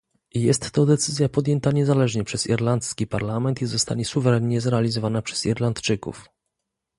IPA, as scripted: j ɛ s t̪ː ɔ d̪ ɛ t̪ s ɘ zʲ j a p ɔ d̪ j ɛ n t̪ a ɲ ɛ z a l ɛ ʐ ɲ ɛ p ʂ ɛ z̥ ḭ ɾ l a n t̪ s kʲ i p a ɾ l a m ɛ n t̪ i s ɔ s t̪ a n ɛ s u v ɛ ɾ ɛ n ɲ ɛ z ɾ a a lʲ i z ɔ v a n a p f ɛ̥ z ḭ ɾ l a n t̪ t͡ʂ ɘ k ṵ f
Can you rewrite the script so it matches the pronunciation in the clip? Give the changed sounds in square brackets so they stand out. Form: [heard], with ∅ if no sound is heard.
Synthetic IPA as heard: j ɛ s t̪ː ɔ d̪ ɛ t̪ s ɘ zʲ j a p ɔ d̪ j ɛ n t̪ a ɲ ɛ z a l ɛ ʐ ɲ ɛ p ʂ ɛ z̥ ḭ ɾ l a n t̪ s kʲ i p a ɾ l a m ɛ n t̪ i [z] ɔ s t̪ a [ɲ] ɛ s u v ɛ ɾ ɛ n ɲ ɛ z ɾ [ɛ] a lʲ i z ɔ v a n a p [ʂ] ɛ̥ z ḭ ɾ l a n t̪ t͡ʂ ɘ k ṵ f